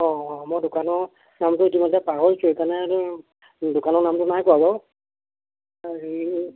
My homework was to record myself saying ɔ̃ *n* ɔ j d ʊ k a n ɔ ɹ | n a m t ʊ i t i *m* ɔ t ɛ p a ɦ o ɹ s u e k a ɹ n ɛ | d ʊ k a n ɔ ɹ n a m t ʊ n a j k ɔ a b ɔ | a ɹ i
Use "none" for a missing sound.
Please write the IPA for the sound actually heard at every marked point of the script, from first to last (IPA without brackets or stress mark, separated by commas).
m, m